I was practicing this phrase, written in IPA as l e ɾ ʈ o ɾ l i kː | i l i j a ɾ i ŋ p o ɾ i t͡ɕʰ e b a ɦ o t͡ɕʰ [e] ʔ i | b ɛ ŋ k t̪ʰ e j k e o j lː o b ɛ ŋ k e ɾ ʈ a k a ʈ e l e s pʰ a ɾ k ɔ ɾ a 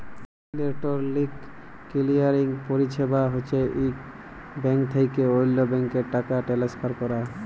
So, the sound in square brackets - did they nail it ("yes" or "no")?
yes